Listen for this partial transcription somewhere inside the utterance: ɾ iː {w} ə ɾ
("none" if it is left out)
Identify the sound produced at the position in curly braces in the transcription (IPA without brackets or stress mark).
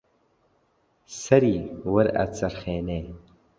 w